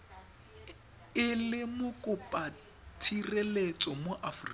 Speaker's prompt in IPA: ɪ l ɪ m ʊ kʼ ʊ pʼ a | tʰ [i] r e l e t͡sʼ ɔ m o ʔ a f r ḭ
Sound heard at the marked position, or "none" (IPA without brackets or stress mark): i